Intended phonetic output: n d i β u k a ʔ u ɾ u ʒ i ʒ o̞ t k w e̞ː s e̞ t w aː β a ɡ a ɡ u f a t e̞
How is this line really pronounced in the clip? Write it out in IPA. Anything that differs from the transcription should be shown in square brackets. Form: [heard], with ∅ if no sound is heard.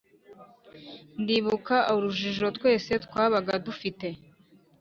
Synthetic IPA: n d i β u k a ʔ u ɾ u ʒ i ʒ o̞ t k w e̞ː s e̞ t w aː β a ɡ a [d] u f [i] t e̞